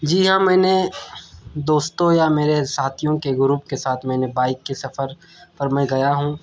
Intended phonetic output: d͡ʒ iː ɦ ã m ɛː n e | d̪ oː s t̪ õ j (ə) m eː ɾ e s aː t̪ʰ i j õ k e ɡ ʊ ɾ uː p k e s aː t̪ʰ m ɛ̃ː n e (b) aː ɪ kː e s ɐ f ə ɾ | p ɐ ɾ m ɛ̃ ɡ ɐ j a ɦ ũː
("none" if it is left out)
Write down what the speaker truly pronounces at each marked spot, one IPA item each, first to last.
a, b

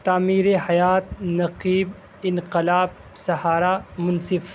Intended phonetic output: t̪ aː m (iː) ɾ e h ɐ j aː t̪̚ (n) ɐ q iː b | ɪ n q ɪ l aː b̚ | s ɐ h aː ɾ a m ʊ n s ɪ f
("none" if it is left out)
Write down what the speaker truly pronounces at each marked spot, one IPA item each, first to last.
iː, n

